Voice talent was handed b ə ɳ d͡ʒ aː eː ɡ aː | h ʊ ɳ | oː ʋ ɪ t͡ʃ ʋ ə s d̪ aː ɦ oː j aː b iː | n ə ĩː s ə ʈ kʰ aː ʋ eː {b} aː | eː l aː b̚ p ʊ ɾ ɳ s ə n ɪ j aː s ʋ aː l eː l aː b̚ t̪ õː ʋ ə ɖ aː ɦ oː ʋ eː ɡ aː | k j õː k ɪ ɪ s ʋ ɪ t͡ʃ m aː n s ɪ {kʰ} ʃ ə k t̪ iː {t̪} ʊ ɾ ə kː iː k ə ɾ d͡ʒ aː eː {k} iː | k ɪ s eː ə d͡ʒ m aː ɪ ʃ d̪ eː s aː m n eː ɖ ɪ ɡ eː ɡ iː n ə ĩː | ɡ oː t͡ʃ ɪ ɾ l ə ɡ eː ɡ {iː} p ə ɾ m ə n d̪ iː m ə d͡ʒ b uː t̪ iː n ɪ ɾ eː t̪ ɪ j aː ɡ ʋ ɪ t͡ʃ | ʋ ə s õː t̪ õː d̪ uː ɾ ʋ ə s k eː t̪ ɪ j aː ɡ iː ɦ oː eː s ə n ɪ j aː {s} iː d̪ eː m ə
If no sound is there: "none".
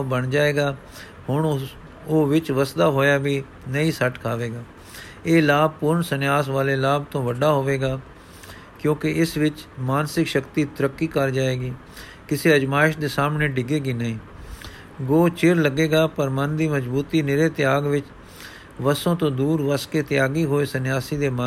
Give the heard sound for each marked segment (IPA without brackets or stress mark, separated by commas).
ɡ, k, t̪, ɡ, aː, s